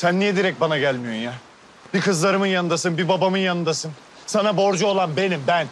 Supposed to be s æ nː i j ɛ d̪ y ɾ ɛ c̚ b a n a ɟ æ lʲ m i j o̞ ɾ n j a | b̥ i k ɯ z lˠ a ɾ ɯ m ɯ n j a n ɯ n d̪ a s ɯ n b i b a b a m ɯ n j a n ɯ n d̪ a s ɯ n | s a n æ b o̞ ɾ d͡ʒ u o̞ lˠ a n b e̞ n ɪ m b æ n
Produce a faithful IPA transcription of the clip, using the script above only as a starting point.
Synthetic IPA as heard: s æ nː i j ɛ d̪ i ɾ ɛ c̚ b a n a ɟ æ lʲ m i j o̞ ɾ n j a | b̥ i k ɯ z lˠ a ɾ ɯ m ɯ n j a n ɯ n d̪ a s ɯ n b i b a b a m ɯ n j a n ɯ n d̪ a s ɯ n | s a n a b o̞ ɾ d͡ʒ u o̞ lˠ a n b e̞ n i m b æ n